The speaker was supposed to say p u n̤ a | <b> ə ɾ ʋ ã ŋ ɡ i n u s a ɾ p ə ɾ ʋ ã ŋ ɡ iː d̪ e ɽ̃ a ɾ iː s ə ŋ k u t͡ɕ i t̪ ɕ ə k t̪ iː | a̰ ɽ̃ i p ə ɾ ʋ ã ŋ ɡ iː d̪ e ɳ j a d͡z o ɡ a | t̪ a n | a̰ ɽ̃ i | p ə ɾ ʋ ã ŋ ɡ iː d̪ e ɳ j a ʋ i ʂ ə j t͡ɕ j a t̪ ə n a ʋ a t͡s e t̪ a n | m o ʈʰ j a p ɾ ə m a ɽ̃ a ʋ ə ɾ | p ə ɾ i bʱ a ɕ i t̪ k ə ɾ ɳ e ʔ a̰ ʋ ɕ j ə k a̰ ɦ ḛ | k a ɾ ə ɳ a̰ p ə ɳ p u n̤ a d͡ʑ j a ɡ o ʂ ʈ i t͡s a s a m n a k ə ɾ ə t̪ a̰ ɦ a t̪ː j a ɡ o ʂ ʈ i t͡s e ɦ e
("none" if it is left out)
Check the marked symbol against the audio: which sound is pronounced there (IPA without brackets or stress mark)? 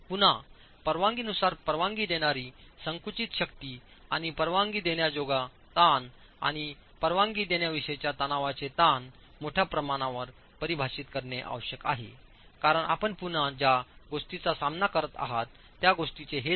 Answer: p